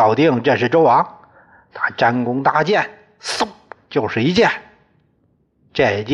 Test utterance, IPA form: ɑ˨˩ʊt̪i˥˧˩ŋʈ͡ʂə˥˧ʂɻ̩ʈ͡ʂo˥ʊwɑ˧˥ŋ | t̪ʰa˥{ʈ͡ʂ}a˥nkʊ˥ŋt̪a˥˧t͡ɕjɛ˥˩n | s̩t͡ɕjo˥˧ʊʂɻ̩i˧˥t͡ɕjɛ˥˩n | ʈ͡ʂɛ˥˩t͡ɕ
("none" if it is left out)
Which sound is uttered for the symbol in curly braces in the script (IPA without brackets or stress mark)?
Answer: ʈ͡ʂ